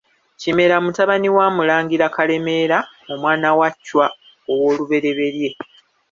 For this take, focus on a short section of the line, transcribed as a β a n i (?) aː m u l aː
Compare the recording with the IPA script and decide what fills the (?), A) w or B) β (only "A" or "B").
A